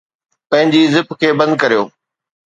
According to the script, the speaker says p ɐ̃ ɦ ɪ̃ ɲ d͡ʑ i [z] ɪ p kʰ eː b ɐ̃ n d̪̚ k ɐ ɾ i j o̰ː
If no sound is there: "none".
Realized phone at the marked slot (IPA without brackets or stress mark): z